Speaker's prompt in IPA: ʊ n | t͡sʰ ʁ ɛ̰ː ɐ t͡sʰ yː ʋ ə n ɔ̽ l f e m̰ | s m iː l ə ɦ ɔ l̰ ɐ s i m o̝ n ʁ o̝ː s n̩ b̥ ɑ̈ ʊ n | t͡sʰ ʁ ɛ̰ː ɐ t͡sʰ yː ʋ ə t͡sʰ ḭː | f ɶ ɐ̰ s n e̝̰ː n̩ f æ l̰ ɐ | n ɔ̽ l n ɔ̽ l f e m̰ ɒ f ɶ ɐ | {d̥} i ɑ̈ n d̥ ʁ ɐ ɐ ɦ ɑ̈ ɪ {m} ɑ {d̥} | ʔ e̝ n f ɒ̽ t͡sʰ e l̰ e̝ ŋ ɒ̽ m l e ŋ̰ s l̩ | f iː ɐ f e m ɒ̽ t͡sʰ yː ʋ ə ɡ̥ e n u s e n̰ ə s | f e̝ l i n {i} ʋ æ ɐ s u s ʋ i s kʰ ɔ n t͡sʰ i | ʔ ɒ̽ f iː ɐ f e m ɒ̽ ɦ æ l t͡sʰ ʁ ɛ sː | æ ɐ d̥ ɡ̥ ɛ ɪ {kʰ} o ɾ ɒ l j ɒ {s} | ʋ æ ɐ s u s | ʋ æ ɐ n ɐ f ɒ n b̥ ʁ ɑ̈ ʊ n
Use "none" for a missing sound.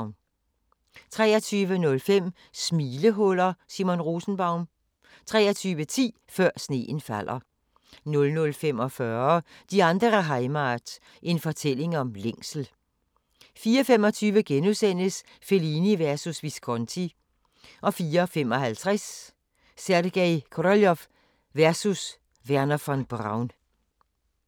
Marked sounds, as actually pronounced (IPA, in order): d̥, m, d̥, i, kʰ, f

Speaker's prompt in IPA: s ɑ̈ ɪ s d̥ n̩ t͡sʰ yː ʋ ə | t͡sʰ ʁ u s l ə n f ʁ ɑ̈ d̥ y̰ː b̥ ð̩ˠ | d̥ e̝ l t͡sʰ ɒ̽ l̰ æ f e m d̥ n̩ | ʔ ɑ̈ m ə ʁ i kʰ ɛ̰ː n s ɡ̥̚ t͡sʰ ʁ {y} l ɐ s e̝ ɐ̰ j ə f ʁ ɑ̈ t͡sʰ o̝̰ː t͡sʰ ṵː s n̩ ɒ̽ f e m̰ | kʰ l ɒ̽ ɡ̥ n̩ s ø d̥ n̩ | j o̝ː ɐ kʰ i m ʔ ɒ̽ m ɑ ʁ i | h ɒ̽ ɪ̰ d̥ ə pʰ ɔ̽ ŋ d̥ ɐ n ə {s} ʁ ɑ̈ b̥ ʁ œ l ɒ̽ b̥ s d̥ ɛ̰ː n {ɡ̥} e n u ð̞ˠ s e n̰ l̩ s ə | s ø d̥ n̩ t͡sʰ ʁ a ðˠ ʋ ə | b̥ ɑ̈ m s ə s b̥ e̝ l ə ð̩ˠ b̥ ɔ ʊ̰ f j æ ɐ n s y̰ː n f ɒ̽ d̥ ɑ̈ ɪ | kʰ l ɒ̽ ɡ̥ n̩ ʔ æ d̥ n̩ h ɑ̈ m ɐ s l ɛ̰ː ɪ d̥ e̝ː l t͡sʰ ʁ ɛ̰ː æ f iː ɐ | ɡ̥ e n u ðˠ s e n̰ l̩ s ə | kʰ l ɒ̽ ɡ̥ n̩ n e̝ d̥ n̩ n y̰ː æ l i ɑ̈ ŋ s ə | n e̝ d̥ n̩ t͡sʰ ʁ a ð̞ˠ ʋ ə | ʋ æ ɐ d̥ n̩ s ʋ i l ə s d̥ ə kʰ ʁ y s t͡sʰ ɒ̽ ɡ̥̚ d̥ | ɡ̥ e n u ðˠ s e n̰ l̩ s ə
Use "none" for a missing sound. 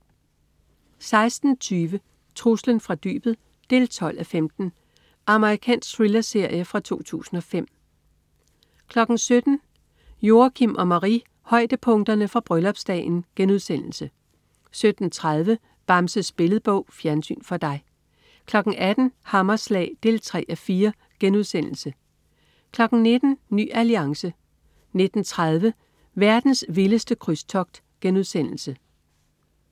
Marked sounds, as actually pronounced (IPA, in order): i, f, ɡ̥

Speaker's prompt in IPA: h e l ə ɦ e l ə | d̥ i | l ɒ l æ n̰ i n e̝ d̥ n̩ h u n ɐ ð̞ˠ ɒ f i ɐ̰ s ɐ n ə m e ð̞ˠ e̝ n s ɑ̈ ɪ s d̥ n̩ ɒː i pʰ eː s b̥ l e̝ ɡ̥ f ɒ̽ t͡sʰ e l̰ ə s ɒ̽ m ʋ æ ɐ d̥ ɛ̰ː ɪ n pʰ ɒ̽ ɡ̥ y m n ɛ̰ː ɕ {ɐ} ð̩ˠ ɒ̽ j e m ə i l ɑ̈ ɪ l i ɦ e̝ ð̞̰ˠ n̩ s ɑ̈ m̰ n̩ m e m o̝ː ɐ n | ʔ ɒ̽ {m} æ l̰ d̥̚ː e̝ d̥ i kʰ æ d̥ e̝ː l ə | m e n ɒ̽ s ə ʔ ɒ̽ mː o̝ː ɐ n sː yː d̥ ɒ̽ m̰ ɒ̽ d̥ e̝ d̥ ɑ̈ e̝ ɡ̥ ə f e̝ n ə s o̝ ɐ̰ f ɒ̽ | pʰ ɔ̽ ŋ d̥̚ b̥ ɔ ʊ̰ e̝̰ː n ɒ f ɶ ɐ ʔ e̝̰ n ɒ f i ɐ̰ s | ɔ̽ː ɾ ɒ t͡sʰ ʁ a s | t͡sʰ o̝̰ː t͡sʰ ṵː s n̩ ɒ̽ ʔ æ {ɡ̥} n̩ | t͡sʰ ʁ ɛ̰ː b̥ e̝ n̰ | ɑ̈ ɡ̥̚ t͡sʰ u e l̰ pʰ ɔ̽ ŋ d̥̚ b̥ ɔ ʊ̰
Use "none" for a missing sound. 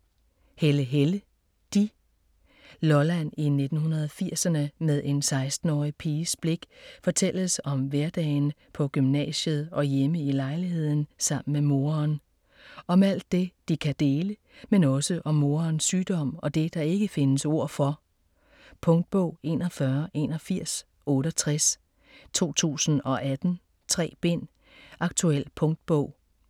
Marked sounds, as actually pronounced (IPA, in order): ə, m, d̥

